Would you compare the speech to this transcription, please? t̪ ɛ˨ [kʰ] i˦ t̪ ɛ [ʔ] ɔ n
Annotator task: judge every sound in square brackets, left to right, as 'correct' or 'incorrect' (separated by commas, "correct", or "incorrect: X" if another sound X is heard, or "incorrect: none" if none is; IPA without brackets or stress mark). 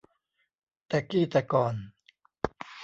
incorrect: k, incorrect: k